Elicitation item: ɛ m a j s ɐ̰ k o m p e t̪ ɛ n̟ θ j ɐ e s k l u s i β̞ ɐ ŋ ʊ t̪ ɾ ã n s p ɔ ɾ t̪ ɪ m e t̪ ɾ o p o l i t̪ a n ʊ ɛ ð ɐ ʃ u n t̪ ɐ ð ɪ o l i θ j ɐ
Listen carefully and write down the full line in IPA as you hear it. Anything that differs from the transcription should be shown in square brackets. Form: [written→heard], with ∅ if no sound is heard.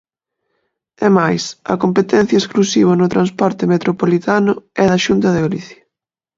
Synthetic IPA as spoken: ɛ m a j s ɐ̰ k o m p e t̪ ɛ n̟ θ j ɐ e s k l u s i β̞ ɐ [ŋ→n] ʊ t̪ ɾ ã n s p ɔ ɾ t̪ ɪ m e t̪ ɾ o p o l i t̪ a n ʊ ɛ ð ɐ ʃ u n t̪ ɐ ð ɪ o l i θ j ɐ